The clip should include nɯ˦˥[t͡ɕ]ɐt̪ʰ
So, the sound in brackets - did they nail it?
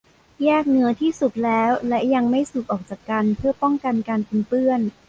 no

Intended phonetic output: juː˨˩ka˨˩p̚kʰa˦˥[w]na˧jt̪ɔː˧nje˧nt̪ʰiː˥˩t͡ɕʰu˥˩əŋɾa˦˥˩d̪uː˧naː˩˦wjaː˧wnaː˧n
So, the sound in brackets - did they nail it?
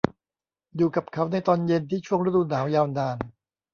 yes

